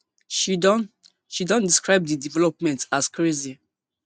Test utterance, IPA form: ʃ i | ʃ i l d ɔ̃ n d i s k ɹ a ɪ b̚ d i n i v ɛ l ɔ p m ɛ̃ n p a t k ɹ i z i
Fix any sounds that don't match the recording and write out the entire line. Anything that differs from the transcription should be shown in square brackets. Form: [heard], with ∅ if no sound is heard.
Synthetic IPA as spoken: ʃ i | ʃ i [∅] d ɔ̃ n d i s k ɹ a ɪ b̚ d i [d] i v ɛ l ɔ p m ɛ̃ n [t] a [s] k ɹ [e] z i